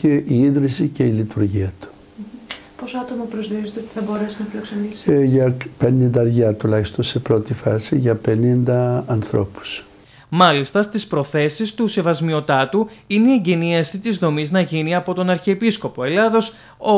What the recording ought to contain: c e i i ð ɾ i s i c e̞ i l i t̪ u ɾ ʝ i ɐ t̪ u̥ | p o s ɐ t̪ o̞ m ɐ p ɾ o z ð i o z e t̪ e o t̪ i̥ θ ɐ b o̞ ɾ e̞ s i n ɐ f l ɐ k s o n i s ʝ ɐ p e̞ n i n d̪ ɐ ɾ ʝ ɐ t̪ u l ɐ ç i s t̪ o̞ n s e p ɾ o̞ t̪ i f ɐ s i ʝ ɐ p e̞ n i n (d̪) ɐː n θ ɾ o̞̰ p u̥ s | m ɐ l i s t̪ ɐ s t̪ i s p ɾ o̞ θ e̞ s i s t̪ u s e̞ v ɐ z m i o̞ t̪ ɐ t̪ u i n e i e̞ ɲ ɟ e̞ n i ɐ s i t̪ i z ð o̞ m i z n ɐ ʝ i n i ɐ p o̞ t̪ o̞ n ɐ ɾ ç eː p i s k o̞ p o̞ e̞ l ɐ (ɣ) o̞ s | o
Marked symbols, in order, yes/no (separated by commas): yes, no